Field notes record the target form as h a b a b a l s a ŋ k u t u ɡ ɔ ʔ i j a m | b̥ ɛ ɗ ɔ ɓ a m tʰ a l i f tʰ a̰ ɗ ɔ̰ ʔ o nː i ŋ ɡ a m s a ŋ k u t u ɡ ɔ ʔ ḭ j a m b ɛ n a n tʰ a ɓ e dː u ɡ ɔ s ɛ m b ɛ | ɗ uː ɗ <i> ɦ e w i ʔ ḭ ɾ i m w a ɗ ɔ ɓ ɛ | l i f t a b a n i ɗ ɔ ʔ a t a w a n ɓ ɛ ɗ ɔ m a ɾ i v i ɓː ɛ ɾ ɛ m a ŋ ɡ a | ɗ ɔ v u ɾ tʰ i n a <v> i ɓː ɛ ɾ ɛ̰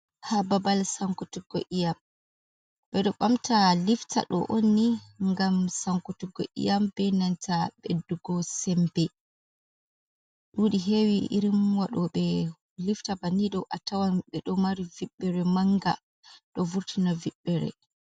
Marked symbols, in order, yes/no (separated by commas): yes, yes